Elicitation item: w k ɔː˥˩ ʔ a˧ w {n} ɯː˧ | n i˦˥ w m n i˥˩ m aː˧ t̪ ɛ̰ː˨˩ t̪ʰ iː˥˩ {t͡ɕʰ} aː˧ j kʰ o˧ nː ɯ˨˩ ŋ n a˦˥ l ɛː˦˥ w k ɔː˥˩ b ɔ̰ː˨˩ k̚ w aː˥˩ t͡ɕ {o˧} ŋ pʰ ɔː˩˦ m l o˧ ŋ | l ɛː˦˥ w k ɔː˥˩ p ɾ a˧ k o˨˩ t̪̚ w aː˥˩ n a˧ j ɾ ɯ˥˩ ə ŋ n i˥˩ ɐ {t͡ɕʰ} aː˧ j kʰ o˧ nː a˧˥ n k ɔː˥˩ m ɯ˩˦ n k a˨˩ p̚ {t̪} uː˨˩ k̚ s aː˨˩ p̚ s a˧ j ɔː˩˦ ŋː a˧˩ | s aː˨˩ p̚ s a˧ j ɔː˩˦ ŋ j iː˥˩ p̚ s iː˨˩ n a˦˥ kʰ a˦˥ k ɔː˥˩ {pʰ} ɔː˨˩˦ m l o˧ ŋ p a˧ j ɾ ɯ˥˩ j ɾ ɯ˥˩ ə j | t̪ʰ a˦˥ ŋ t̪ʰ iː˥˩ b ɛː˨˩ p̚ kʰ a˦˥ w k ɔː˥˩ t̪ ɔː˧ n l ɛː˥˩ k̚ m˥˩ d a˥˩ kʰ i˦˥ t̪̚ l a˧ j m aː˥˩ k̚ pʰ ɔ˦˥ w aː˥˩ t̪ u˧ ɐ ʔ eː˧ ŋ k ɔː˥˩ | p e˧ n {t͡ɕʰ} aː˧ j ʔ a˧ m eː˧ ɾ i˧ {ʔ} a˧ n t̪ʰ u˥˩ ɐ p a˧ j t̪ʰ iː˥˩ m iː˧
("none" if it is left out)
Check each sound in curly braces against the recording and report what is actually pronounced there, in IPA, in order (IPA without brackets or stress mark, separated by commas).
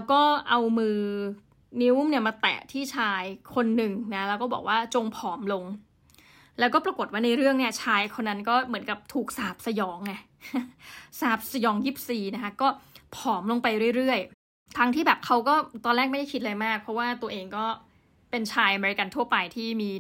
m, t͡ɕʰ, o˧, t͡ɕʰ, t̪ʰ, pʰ, t͡ɕʰ, k